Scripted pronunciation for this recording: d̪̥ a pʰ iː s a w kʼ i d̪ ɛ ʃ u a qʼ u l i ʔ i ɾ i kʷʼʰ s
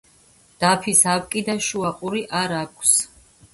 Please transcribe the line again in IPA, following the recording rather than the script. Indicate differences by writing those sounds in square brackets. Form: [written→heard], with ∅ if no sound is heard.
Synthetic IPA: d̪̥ a pʰ [iː→i] s a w kʼ i d̪ [ɛ→a] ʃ u a qʼ u [l→ɾ] i ʔ [i→a] ɾ [i→a] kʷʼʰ s